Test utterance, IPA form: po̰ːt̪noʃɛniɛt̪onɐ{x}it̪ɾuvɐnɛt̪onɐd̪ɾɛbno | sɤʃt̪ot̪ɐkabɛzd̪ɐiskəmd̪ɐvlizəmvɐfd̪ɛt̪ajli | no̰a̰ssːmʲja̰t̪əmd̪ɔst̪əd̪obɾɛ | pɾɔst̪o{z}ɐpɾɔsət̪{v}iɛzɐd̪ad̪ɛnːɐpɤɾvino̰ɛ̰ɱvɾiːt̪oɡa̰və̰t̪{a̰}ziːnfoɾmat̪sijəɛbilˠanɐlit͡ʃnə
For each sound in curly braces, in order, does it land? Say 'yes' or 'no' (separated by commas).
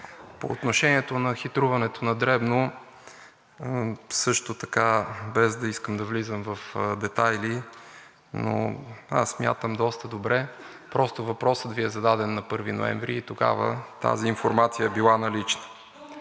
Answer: yes, no, yes, yes